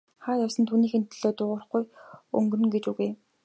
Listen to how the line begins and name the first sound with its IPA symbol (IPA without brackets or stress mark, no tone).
χ